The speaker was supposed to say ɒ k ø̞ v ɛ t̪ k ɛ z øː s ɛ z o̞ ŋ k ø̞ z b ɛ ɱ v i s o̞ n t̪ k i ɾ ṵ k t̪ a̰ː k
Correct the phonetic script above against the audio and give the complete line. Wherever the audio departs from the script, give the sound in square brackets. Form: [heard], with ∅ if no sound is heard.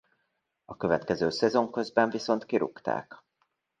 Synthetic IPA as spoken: ɒ k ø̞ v ɛ t̪ k ɛ z øː s ɛ z o̞ ŋ k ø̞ z b ɛ ɱ v i s o̞ n t̪ k i ɾ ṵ k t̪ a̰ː k

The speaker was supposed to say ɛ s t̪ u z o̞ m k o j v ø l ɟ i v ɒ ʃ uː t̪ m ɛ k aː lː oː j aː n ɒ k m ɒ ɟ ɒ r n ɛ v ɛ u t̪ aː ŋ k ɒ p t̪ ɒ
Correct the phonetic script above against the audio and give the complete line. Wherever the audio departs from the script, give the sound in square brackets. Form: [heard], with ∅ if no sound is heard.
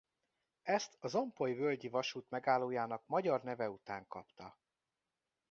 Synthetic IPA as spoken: ɛ s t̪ [ɒ] z o̞ m [p] o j v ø l ɟ i v ɒ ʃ uː t̪ m ɛ [ɡ] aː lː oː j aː n ɒ k m ɒ ɟ ɒ r n ɛ v ɛ u t̪ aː ŋ k ɒ p t̪ ɒ

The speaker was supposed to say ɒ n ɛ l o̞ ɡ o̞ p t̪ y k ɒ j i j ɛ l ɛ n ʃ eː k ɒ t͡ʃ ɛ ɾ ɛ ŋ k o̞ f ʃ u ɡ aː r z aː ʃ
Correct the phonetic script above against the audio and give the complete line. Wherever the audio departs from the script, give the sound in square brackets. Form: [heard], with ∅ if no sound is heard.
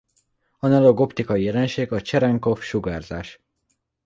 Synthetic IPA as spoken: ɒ n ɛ l o̞ ɡ o̞ p t̪ [i] k ɒ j i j ɛ l ɛ n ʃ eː [ɡ] ɒ t͡ʃ ɛ ɾ ɛ ŋ k o̞ f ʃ u ɡ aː r z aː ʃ

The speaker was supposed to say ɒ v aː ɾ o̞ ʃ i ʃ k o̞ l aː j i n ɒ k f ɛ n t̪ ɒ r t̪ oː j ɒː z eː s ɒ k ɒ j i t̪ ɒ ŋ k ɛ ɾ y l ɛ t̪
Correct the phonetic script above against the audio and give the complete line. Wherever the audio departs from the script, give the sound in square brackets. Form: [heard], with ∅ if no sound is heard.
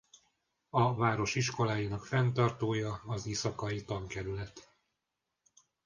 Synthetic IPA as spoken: ɒ v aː ɾ o̞ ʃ i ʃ k o̞ l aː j i n ɒ k f ɛ n t̪ ɒ r t̪ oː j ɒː z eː s ɒ k ɒ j i t̪ ɒ ŋ k ɛ ɾ y l ɛ t̪

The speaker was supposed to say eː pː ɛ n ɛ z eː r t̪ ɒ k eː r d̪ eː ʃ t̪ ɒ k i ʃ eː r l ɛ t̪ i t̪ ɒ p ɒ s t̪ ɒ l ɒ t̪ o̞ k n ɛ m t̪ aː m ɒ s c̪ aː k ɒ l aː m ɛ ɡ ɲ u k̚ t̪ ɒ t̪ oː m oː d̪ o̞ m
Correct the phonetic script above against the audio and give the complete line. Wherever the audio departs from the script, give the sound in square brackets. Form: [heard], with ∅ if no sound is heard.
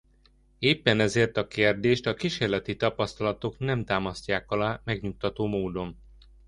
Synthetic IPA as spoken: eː pː ɛ n ɛ z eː r t̪ ɒ k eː r d̪ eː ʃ t̪ ɒ k i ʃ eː r l ɛ t̪ i t̪ ɒ p ɒ s t̪ ɒ l ɒ t̪ o̞ k n ɛ m t̪ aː m ɒ s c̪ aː k ɒ l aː m ɛ ɡ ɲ u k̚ t̪ ɒ t̪ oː m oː d̪ o̞ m

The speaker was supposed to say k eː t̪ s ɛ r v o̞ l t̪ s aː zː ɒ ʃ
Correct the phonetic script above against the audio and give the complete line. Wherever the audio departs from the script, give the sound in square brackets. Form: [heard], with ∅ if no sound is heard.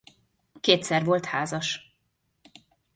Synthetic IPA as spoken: k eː t̪ s ɛ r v o̞ l t̪ [h] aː [z] ɒ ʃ

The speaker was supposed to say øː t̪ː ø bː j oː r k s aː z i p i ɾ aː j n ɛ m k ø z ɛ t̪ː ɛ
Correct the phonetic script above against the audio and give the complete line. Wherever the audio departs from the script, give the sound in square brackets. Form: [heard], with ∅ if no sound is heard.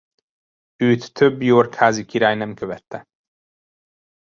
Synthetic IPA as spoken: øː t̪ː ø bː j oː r k [h] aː z i [k] i ɾ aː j n ɛ m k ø [v] ɛ t̪ː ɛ

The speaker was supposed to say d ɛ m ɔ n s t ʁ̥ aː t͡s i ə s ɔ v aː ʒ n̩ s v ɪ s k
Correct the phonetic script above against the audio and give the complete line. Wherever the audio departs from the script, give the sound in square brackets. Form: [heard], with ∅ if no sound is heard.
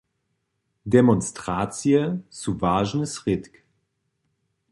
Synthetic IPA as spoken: d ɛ m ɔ n s t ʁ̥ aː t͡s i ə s [u] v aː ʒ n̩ s [ʁ] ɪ [t] k

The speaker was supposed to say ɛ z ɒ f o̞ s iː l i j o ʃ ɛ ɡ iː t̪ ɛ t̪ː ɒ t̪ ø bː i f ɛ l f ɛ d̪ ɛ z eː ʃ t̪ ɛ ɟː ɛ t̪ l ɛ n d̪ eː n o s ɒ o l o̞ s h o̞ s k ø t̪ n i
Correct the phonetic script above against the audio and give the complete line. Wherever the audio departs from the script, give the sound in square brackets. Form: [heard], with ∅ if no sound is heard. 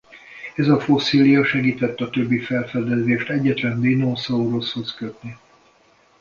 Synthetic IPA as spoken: ɛ z ɒ f o̞ s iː l i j [ɒ] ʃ ɛ ɡ iː t̪ ɛ t̪ː ɒ t̪ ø bː i f ɛ l f ɛ d̪ ɛ z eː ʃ t̪ ɛ ɟː ɛ t̪ l ɛ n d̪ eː n o s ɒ o [ɾ] o̞ s h o̞ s k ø t̪ n i

